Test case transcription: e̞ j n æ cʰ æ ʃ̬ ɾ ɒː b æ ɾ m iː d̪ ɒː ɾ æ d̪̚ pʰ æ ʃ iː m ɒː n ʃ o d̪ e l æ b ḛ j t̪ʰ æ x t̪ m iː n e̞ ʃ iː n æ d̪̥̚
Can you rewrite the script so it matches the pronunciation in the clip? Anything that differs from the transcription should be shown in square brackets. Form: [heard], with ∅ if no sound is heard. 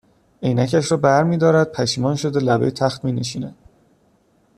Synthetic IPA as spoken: e̞ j n æ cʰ æ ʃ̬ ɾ ɒː b æ ɾ m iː d̪ ɒː ɾ æ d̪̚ pʰ æ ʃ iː m ɒː n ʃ o d̪ e l æ b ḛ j t̪ʰ æ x t̪ m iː n e̞ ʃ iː n æ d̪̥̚